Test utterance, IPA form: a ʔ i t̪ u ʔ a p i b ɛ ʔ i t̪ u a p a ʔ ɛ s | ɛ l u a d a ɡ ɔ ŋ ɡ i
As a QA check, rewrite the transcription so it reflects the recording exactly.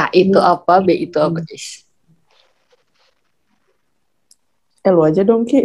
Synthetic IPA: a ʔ i t̪ u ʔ a p a b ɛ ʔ i t̪ u a p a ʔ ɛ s | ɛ l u a d͡ʒ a d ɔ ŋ k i